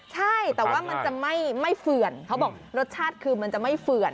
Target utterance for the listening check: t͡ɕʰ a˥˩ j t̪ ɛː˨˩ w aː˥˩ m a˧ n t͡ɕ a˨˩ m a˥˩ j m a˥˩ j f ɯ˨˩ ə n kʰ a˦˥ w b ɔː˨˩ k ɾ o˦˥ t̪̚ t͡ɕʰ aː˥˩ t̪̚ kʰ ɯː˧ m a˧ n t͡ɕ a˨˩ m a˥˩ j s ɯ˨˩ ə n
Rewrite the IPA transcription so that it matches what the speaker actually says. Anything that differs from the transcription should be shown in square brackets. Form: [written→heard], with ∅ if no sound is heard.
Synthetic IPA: t͡ɕʰ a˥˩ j t̪ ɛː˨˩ w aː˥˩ m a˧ n t͡ɕ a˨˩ m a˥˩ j m a˥˩ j f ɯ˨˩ ə n kʰ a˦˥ w b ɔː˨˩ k ɾ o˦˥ t̪̚ t͡ɕʰ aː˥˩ t̪̚ kʰ ɯː˧ m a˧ n t͡ɕ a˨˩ m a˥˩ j [s→f] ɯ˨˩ ə n